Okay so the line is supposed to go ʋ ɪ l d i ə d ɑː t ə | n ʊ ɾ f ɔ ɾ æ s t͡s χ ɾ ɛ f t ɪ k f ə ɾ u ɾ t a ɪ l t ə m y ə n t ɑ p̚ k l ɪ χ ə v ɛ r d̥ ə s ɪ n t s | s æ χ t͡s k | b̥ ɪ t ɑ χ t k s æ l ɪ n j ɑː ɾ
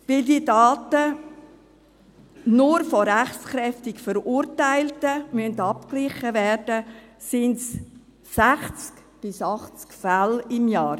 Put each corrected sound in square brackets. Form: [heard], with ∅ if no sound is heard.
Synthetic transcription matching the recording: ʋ ɪ l d i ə d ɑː t ə | n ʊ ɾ f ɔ ɾ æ [χ] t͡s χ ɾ ɛ f t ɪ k f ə ɾ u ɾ t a ɪ l t ə m y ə n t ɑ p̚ k l ɪ χ ə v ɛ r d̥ ə s ɪ n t s | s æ χ t͡s k | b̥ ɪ [s] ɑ χ [t͡s] k [f] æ l ɪ [m] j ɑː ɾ